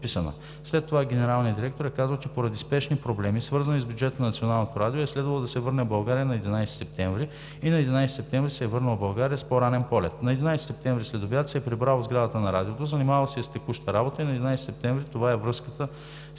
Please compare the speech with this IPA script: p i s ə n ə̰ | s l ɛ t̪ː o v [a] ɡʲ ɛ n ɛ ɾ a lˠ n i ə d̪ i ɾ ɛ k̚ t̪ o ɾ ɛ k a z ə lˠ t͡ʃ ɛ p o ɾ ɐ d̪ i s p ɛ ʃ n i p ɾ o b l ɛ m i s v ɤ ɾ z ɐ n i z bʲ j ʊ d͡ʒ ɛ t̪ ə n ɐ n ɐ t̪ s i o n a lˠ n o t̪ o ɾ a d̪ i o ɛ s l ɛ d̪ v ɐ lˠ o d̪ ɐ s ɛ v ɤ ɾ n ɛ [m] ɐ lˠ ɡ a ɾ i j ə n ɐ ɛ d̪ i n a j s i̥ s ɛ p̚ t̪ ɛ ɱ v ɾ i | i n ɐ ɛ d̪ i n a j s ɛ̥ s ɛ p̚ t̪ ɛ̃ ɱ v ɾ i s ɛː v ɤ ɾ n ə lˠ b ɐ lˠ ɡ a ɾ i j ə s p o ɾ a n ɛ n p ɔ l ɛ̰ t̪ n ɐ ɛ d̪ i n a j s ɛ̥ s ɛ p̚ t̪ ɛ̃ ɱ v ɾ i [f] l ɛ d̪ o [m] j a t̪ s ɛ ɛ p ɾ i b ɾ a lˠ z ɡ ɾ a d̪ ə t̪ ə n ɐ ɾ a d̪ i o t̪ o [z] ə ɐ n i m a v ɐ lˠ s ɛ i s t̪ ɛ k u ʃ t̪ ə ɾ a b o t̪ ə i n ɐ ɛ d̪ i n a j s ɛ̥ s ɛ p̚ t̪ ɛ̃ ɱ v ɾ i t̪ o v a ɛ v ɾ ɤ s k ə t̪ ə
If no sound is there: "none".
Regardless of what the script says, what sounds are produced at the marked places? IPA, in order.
a, b, s, b, z

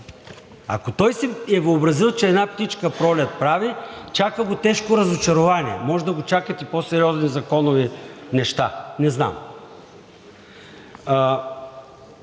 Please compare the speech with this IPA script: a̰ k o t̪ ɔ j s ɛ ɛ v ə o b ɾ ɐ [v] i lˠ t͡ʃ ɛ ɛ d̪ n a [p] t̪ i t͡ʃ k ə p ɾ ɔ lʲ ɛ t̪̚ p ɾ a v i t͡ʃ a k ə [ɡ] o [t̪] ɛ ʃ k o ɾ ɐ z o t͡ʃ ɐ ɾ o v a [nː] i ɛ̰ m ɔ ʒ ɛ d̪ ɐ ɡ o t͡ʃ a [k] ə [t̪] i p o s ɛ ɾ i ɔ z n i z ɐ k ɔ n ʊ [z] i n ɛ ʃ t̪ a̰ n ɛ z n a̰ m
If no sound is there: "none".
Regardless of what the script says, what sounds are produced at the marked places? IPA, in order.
z, p, ɡ, t̪, n, k, t̪, v

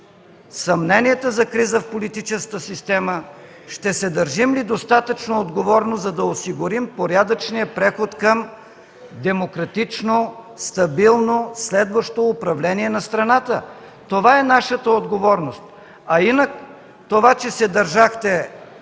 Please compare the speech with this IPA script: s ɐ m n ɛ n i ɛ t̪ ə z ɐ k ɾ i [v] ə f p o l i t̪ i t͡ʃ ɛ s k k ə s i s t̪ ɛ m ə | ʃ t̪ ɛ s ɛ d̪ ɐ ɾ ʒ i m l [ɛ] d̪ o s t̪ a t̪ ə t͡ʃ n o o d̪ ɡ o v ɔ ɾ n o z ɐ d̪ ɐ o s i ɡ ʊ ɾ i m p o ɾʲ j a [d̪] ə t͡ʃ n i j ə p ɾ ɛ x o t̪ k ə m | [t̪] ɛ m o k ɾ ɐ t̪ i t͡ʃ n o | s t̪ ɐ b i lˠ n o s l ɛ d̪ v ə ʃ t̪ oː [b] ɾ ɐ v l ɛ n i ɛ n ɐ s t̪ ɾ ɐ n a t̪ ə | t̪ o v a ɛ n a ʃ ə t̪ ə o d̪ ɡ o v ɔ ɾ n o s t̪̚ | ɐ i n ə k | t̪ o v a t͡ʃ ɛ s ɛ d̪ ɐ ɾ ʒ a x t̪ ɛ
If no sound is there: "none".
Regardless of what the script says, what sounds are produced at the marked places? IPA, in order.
z, i, d̪, d̪, p

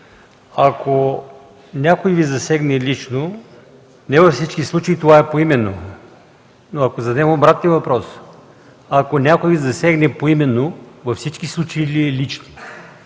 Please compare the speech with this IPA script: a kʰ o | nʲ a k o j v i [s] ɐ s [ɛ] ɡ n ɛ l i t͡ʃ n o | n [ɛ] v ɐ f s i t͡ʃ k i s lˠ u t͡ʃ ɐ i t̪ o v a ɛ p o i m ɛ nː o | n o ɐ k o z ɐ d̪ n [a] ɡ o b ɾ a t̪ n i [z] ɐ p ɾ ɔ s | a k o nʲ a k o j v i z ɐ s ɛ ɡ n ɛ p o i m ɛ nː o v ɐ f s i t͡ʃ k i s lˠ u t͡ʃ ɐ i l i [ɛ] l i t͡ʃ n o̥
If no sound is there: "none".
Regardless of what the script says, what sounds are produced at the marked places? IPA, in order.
z, ɛ, ɛ, ɛ, v, ɛ

